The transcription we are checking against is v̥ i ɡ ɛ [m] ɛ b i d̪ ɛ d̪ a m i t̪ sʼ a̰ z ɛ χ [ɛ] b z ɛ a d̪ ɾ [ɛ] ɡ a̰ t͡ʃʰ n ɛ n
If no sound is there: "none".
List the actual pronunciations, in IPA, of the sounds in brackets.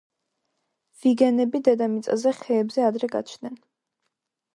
n, ɛː, ɛ

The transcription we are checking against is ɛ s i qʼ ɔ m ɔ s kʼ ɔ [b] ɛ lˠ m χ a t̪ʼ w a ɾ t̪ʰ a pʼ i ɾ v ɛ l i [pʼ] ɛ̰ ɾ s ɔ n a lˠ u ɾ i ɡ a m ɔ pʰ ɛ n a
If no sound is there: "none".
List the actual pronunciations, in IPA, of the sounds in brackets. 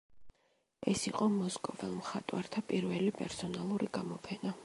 v, pʼ

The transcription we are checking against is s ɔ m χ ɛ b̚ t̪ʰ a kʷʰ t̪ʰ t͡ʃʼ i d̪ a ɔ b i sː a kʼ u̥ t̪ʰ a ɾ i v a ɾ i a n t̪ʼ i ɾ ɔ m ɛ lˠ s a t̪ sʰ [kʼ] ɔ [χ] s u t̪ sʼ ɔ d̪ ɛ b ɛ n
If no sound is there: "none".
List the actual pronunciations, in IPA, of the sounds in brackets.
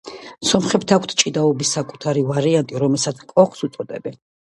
kʼ, χ

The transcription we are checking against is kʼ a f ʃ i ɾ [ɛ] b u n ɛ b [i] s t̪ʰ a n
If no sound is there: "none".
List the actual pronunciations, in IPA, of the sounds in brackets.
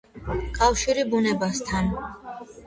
i, a

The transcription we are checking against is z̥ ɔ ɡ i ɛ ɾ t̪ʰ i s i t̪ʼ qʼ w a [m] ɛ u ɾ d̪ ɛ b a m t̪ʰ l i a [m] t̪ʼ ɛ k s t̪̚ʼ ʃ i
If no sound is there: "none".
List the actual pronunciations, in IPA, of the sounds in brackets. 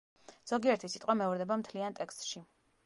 m, n

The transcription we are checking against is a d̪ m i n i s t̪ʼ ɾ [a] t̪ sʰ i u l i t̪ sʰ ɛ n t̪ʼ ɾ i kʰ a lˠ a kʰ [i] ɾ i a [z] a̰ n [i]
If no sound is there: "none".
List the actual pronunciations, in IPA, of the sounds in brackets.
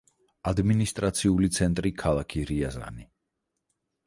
a, i, z, i

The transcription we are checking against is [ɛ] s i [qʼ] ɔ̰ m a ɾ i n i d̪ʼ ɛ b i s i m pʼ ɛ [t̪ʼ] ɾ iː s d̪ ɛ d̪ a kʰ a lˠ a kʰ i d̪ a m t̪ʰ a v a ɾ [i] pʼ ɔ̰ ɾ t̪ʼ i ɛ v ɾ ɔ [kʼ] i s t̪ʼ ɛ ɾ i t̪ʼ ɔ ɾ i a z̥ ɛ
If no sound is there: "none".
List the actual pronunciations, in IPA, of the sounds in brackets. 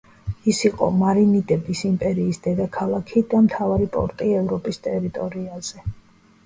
i, qʼ, none, i, pʼ

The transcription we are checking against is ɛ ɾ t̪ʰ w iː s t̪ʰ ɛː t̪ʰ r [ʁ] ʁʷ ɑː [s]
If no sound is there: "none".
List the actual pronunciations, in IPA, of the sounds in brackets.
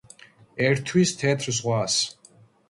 z, s

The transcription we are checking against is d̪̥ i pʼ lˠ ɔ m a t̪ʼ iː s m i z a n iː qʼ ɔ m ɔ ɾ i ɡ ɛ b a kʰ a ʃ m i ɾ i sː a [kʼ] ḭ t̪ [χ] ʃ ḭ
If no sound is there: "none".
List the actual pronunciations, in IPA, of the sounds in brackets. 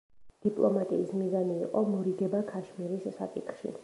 kʼ, χ

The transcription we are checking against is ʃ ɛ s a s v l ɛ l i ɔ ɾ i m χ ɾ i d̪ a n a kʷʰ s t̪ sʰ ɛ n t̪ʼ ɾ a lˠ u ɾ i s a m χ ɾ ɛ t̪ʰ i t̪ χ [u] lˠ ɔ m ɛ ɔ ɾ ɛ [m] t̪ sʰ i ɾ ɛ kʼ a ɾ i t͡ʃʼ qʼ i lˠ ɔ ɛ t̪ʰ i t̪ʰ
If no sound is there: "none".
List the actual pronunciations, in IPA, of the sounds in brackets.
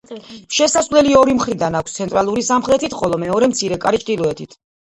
ɔ, m

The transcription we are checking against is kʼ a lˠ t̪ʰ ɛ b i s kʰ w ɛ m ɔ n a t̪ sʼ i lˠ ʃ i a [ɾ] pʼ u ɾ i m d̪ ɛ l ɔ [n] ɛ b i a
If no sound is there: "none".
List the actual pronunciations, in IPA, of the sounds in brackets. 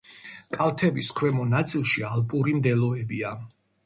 l, none

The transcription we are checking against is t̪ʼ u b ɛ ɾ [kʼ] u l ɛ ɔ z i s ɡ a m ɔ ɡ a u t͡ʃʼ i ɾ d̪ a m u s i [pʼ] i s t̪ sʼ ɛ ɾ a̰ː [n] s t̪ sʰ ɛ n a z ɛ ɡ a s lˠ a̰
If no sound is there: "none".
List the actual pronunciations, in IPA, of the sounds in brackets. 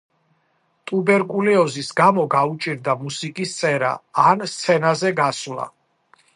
kʼ, kʼ, n

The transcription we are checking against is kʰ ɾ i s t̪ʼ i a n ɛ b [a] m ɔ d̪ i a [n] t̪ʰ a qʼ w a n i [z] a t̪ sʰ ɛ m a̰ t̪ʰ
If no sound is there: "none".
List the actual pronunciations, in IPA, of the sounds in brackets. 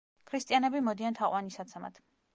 i, n, s

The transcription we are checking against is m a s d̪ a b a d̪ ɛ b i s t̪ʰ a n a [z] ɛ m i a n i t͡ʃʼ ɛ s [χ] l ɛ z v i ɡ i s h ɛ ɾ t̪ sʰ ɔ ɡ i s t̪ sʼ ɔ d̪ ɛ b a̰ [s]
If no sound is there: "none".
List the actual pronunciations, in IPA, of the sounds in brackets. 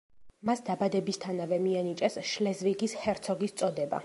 v, ʃ, none

